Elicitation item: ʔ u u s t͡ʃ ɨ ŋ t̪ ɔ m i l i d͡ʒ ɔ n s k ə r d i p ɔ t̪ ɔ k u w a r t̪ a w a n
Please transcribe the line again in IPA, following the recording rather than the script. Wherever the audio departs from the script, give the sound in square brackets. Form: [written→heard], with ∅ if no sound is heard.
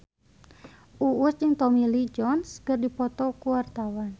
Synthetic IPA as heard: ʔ u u s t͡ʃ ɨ ŋ t̪ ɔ m i l i d͡ʒ ɔ n s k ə r d i p ɔ t̪ ɔ k u w a r t̪ a w a n

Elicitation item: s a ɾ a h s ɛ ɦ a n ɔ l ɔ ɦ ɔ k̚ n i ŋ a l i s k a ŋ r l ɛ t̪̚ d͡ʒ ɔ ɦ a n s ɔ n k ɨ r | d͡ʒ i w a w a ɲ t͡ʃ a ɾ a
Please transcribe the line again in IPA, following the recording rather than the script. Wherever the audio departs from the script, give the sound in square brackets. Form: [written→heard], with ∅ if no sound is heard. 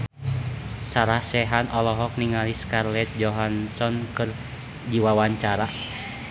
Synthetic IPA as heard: s a ɾ a h s ɛ ɦ a n ɔ l ɔ ɦ ɔ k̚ n i ŋ a l i s k a [ŋ→∅] r l ɛ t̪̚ d͡ʒ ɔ ɦ a n s ɔ n k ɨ r | d͡ʒ i w a w a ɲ t͡ʃ a ɾ a

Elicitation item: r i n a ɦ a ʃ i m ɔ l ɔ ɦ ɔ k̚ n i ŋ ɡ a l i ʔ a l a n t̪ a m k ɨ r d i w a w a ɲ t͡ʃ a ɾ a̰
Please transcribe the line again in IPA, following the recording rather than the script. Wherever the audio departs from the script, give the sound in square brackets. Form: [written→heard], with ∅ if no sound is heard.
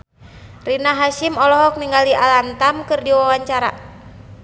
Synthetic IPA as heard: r i n a ɦ a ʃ i m ɔ l ɔ ɦ ɔ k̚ n i ŋ ɡ a l i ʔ a l a n t̪ a m k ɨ r d i w a w a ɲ t͡ʃ a ɾ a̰

